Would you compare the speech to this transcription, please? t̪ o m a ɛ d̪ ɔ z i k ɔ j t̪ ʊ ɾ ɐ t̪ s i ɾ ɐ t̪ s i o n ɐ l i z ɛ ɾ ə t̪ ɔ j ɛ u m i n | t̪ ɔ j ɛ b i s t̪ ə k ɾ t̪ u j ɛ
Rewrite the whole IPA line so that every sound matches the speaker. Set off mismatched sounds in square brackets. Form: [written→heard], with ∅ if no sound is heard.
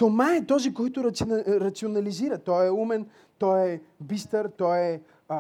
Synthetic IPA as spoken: t̪ o m a ɛ [d̪→t̪] ɔ z i k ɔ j t̪ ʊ ɾ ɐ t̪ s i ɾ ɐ t̪ s i o n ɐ l i z [ɛ→i] ɾ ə t̪ ɔ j ɛ u m [i→ɛ] n | t̪ ɔ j ɛ b i s t̪ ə [k→∅] ɾ t̪ [u→ɔ] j ɛ